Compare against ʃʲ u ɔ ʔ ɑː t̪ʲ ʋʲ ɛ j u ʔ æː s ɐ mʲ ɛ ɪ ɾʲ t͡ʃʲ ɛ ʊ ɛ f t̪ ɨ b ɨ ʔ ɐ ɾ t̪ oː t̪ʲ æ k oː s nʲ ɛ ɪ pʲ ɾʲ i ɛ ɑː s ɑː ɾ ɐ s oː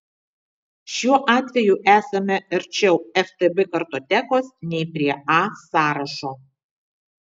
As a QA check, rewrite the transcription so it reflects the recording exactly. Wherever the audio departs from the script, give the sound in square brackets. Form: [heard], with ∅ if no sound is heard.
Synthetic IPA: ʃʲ u ɔ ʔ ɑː t̪ʲ ʋʲ ɛ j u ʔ æː s ɐ mʲ ɛ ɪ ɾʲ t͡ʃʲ ɛ ʊ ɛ f t̪ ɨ b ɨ [k] ɐ ɾ t̪ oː t̪ʲ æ k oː s nʲ ɛ ɪ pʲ ɾʲ i ɛ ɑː s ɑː ɾ ɐ [ʃ] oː